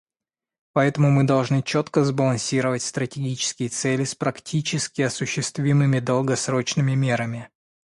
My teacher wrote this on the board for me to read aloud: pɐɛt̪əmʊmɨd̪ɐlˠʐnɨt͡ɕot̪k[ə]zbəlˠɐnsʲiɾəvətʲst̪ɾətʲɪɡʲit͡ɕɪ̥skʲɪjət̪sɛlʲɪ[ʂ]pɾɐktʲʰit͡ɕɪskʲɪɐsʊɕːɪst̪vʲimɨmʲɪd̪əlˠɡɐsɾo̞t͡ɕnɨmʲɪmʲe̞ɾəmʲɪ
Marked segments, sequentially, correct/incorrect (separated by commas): correct, incorrect